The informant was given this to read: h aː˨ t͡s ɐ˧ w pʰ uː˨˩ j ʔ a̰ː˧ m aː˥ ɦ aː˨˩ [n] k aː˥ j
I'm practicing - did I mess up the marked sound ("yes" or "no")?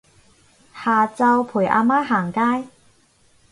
yes